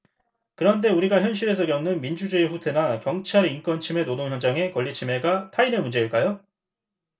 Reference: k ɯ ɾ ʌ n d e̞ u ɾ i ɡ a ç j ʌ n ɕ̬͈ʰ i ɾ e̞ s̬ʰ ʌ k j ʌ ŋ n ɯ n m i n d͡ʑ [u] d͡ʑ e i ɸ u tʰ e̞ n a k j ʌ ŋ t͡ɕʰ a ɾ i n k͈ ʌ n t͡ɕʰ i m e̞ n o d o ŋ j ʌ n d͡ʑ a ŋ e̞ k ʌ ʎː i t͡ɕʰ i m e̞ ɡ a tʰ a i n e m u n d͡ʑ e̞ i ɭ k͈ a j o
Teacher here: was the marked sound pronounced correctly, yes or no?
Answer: yes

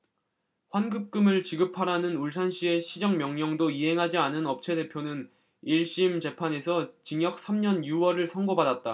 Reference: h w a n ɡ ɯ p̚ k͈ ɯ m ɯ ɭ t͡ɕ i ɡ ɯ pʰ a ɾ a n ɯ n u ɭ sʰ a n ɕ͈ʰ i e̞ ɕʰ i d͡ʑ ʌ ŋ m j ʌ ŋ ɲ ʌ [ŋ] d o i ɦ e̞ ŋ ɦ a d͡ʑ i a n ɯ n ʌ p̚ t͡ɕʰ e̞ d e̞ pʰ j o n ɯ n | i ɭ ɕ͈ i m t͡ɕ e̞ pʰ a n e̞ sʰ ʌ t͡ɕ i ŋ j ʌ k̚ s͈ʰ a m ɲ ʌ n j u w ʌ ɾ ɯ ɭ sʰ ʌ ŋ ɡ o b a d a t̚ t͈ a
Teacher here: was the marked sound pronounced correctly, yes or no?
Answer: yes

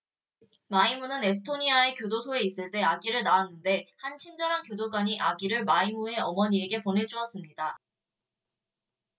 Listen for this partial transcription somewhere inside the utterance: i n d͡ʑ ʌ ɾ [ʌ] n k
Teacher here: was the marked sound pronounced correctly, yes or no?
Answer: no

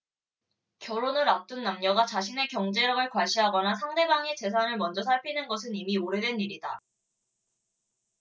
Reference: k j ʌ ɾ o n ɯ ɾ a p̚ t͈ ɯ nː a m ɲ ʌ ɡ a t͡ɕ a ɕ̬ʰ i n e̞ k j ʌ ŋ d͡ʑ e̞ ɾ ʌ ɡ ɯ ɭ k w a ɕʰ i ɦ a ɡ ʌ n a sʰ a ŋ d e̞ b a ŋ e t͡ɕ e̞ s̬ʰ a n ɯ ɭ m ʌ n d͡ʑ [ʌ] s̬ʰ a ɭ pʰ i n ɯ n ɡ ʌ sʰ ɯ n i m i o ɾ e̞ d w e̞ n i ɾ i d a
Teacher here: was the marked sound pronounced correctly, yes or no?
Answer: yes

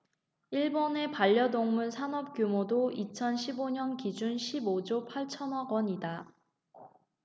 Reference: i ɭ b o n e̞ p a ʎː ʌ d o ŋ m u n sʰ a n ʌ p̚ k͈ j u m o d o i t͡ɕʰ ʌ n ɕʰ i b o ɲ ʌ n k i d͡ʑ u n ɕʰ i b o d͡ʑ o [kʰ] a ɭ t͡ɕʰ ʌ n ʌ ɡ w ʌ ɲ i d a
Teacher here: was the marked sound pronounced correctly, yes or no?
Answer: no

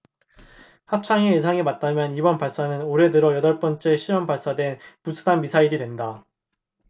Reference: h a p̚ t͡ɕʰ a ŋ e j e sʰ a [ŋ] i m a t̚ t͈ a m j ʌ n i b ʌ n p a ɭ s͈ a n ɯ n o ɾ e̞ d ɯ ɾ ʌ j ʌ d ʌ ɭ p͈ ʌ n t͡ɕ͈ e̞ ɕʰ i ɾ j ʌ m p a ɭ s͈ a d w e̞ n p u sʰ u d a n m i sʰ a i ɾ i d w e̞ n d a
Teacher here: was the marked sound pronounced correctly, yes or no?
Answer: yes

